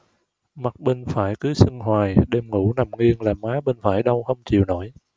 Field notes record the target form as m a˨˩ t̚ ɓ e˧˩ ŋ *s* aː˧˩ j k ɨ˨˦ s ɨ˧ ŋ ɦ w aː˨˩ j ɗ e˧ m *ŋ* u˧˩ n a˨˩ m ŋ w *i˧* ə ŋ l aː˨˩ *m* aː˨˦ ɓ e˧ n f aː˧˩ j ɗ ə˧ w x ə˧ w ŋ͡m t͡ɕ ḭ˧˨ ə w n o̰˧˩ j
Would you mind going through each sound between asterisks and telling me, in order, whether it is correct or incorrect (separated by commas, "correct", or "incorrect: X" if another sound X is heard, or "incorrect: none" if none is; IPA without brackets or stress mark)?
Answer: incorrect: f, correct, correct, correct